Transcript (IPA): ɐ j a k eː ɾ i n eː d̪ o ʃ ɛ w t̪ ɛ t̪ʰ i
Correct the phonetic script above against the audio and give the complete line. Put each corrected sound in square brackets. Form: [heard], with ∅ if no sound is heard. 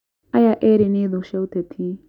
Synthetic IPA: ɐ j a [ʔ] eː ɾ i n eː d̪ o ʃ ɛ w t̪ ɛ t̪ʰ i